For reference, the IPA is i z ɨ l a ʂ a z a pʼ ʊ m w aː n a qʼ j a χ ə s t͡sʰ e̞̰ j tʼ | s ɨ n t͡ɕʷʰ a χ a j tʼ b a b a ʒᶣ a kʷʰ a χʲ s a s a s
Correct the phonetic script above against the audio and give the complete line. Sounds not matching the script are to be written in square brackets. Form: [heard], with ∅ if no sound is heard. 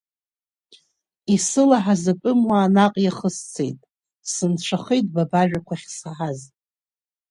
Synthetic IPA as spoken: i [s] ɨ l a [ħ] a z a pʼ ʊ m w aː n a qʼ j a χ ə s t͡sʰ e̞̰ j tʼ | s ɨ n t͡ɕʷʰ a χ [e] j tʼ b a b a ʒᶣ a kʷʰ a χʲ s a [ħ] a [z]